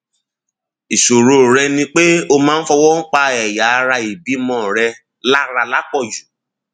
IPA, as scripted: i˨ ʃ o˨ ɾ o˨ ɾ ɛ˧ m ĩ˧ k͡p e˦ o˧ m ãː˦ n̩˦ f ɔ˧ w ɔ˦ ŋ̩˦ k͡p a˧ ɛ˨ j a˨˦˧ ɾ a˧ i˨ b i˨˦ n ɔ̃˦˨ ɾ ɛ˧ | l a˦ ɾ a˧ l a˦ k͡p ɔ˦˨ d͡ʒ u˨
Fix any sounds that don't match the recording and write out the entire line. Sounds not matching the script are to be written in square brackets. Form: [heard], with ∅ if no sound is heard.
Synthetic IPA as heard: i˨ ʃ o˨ ɾ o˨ ɾ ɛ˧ [n] ĩ˧ k͡p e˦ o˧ m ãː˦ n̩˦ f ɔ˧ w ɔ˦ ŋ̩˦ k͡p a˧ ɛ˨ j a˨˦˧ ɾ a˧ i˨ b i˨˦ [m] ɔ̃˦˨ ɾ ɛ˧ | l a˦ ɾ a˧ l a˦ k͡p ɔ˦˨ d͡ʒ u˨